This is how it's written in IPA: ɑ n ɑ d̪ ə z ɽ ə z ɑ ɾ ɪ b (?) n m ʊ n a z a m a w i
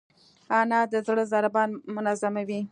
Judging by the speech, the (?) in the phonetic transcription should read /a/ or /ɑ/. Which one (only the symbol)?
ɑ